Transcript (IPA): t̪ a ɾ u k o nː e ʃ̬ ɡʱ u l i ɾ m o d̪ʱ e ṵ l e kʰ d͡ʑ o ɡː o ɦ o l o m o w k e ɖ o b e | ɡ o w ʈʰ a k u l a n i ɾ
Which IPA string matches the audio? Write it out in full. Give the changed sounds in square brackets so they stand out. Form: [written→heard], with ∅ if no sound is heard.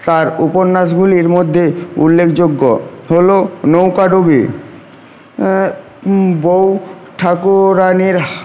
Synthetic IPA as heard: t̪ a ɾ u [k→p] o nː [e→a] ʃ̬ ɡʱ u l i ɾ m o [d̪ʱ→d̪ʱː] e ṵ [l→lː] e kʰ d͡ʑ o ɡː o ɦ o l o [m→n] o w k [e→a] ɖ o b [e→i] | [ɡ→b] o w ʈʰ a k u [l→ɾ] a n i ɾ